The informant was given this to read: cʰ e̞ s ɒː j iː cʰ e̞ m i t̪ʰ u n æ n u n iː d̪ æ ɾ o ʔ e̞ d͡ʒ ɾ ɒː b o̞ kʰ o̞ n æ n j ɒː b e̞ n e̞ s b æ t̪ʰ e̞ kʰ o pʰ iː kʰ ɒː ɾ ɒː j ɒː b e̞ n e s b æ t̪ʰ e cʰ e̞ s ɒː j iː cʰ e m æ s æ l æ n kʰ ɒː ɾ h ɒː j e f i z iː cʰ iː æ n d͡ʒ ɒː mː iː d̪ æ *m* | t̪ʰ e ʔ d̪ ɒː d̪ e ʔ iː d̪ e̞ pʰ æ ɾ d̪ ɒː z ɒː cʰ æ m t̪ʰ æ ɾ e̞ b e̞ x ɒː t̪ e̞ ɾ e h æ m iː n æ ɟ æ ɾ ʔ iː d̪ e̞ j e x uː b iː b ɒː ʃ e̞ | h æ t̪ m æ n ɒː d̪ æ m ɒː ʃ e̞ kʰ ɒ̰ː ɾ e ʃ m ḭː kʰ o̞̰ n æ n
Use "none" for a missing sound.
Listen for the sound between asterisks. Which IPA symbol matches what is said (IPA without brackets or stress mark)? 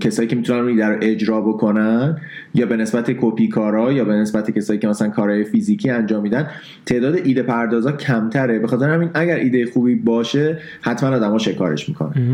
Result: n